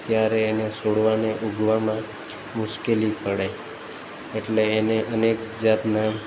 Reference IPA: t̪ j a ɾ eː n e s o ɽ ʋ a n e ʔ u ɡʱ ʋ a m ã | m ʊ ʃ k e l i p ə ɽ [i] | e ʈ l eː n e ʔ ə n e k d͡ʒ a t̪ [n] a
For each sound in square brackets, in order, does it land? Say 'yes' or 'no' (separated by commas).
no, yes